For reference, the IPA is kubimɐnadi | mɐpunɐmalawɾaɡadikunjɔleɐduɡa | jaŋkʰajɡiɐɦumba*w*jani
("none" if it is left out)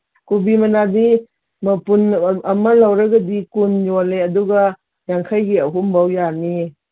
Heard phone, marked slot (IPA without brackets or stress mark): w